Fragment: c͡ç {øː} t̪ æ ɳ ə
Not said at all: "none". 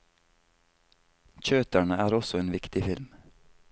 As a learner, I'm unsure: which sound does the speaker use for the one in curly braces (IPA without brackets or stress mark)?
øː